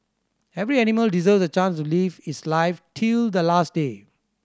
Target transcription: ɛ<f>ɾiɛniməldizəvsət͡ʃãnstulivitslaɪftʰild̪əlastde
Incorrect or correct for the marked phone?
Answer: incorrect: v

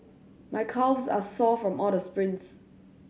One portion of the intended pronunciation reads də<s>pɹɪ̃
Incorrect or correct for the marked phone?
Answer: correct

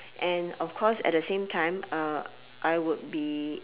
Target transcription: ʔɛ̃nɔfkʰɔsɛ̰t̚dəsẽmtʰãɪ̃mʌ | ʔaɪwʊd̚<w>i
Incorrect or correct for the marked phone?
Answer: incorrect: b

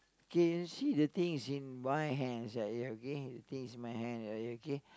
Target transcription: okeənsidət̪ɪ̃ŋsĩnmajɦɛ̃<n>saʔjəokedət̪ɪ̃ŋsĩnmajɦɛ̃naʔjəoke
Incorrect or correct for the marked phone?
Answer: correct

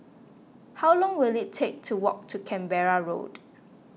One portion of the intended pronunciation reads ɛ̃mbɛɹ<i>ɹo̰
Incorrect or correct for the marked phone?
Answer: incorrect: a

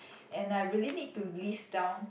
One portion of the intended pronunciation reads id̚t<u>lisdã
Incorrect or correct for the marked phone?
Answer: correct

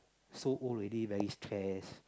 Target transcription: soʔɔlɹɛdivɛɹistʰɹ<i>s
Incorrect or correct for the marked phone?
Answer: incorrect: ɛ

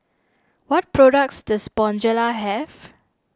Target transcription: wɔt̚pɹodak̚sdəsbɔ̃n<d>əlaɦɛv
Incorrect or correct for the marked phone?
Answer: incorrect: d͡ʒ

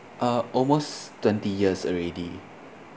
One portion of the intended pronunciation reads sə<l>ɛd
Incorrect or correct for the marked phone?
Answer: incorrect: ɹ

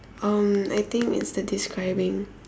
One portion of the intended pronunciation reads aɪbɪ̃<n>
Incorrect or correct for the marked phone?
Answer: incorrect: ŋ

